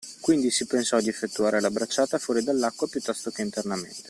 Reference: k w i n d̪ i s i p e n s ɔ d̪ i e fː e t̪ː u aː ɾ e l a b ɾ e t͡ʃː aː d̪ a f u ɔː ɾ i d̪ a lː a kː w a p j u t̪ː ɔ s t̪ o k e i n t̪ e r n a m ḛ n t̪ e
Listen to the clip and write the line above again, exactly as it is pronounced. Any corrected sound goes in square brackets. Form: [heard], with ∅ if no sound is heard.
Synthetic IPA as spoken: k w i n d̪ i s i p e n s ɔ d̪ i e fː e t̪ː u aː ɾ e l a b ɾ [a] t͡ʃː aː [t̪] a f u ɔː ɾ i d̪ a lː a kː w a p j u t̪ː ɔ s t̪ o k e i n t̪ e r n a m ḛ n t̪ e